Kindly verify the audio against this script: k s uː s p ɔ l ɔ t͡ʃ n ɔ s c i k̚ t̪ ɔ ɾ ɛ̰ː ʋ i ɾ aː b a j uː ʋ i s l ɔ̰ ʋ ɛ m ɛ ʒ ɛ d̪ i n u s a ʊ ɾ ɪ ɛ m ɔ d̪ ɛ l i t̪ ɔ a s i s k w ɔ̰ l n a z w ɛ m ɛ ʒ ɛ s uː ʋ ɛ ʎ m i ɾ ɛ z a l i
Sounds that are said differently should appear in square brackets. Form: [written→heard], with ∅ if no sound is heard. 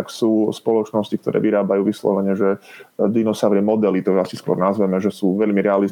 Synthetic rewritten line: k s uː s p ɔ l ɔ t͡ʃ n ɔ s c i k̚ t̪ ɔ ɾ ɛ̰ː ʋ i ɾ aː b a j uː ʋ i s l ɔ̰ ʋ ɛ [m→ɲ] ɛ ʒ ɛ d̪ i n [u→ɔ] s a ʊ ɾ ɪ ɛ m ɔ d̪ ɛ l i t̪ ɔ a s i s k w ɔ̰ [l→ɾ] n a z [w→ʋ] ɛ m ɛ ʒ ɛ s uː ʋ ɛ ʎ m i ɾ ɛ [z→∅] a l i